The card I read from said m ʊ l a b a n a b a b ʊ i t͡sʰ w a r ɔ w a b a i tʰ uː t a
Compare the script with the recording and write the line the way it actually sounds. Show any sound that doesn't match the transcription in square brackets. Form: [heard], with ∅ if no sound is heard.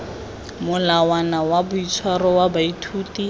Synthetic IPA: m ʊ l a [w] a n a [w] a b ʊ i t͡sʰ w a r ɔ w a b a i tʰ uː t [i]